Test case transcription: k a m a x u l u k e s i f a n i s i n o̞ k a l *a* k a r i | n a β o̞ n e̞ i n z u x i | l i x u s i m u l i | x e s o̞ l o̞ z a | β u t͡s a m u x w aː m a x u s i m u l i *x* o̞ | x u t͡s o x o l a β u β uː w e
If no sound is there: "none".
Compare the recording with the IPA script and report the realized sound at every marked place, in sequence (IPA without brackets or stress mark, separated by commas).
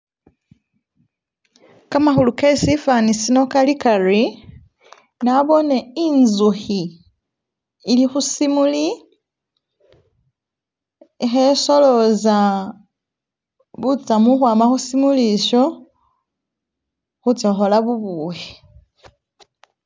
i, ʃ